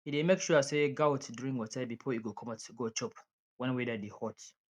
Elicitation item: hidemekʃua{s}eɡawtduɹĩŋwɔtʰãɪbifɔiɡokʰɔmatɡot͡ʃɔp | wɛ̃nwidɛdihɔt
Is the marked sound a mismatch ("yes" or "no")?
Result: no